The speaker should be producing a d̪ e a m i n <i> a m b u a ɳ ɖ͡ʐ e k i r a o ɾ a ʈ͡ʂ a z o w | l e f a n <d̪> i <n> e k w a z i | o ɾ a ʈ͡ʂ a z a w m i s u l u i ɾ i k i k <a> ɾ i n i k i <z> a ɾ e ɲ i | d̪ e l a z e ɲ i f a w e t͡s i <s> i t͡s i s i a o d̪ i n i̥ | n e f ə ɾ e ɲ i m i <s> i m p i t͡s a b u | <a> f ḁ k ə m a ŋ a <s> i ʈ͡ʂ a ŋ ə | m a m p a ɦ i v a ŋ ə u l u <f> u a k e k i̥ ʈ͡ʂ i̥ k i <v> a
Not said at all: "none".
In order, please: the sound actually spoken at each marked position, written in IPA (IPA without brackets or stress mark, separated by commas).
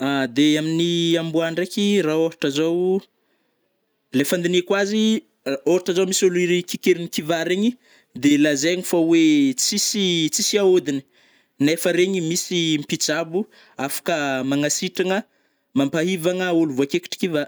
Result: i, d̪, n, e, v, s, s, a, s, v, v